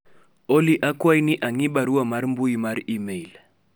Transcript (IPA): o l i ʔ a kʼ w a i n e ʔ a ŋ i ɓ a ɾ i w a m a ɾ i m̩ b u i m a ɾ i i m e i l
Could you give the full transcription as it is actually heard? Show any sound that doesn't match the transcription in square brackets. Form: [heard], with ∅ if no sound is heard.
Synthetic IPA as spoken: o l i ʔ a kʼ w a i n [i] ʔ a ŋ i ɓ a ɾ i w a m a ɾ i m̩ b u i m a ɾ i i m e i l